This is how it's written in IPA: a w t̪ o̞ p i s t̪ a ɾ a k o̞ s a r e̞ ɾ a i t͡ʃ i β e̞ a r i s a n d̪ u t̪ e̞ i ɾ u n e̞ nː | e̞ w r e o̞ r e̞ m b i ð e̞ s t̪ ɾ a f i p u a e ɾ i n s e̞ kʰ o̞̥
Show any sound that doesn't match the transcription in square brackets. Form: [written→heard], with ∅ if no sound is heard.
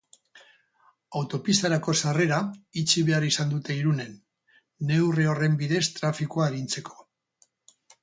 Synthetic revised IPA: a w t̪ o̞ p i s t̪ a ɾ a k o̞ s a r e̞ ɾ a i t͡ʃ i β e̞ a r i s a n d̪ u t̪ e̞ i ɾ u n e̞ nː | e̞ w r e o̞ r e̞ m b i ð e̞ s t̪ ɾ a f i [p→k] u a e ɾ i n [s→t͡s] e̞ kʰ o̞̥